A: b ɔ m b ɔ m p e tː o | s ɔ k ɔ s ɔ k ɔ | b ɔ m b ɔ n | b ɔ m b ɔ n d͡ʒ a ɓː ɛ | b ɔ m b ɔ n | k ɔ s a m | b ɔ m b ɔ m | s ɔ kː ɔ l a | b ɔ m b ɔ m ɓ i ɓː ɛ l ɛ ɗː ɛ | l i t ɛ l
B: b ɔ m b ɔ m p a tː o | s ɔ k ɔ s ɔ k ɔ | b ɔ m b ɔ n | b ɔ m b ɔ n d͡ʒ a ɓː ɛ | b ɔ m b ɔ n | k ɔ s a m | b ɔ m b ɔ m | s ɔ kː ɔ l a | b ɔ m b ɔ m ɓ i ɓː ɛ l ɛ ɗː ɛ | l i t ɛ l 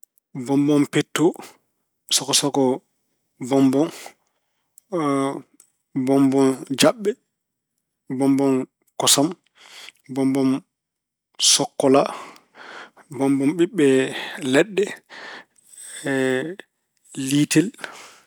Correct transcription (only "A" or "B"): A